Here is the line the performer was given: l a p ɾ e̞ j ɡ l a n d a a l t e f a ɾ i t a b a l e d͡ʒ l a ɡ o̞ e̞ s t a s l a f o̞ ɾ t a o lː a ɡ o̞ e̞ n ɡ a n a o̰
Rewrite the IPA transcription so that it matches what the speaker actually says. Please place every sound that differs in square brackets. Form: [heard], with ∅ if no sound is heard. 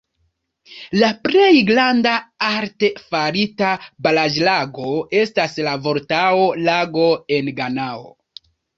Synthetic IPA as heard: l a p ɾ e̞ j ɡ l a n d a a [ɾ] t e f a ɾ i t a b a l [a] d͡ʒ l a ɡ o̞ e̞ s t a s l a [v] o̞ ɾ t a o [l] a ɡ o̞ e̞ n ɡ a n a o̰